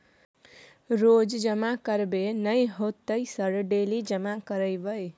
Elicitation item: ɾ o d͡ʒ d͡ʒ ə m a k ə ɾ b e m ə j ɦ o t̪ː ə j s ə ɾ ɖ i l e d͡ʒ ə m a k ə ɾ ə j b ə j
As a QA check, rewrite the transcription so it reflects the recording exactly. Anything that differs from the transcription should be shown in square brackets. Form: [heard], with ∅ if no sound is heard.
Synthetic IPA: ɾ o d͡ʒ d͡ʒ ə m a k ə ɾ b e [n] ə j ɦ o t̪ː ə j s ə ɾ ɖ [e] l [i] d͡ʒ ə m a k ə ɾ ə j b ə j